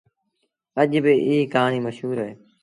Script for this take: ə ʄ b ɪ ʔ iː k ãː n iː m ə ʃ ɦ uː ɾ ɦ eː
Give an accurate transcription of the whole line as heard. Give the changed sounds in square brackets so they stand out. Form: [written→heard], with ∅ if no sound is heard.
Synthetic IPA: ə ʄ b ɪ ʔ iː k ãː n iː m ə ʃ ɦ uː ɾ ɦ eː